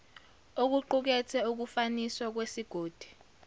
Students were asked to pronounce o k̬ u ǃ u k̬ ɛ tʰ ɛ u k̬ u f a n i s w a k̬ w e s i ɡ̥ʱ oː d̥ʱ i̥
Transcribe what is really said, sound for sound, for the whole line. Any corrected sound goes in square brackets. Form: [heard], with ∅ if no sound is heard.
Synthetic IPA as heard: o k̬ u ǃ u k̬ ɛ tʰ ɛ u k̬ u f a n i s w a k̬ w e s i ɡ̥ʱ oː d̥ʱ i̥